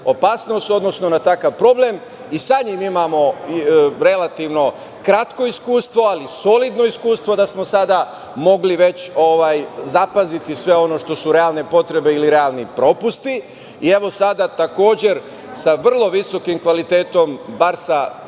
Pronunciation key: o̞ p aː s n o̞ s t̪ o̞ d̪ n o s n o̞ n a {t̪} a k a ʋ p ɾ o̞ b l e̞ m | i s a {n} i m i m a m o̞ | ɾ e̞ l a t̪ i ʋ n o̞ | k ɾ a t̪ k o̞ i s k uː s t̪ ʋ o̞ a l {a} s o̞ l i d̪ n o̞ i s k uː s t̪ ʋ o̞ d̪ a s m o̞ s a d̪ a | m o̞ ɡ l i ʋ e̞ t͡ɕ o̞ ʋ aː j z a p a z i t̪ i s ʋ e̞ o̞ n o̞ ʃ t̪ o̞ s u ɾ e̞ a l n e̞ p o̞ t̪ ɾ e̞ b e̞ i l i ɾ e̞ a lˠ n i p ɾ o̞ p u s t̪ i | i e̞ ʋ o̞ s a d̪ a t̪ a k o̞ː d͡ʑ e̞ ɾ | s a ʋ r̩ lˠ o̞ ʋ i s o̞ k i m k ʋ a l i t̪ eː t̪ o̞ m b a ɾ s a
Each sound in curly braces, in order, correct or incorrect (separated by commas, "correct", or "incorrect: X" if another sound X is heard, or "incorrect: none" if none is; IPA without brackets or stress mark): correct, incorrect: ɲ, incorrect: i